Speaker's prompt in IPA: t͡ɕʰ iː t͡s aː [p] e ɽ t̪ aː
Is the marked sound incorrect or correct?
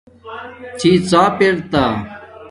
correct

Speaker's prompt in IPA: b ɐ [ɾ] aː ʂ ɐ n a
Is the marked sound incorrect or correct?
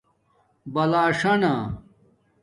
incorrect: l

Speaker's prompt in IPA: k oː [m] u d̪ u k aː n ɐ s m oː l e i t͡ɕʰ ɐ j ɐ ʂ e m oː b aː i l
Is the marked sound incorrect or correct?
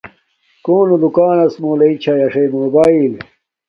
incorrect: n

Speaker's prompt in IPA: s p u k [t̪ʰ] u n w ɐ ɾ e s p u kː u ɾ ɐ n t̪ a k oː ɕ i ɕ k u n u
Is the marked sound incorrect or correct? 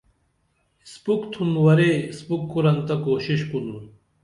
correct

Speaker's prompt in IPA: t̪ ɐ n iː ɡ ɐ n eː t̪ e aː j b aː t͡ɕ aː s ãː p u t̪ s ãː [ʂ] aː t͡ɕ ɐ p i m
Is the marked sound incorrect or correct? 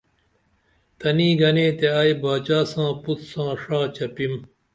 correct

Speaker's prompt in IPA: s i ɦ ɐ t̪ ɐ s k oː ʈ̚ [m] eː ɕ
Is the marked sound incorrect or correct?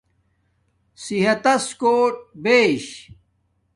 incorrect: b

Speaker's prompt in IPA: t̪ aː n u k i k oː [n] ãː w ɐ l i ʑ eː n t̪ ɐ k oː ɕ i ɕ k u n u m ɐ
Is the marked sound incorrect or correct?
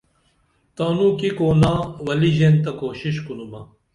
correct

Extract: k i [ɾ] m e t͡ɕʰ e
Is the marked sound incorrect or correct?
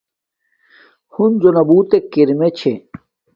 correct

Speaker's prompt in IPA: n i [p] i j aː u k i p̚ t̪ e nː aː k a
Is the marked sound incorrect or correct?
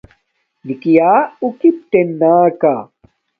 incorrect: k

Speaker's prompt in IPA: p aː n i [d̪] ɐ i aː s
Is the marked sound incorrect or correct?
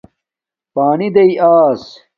correct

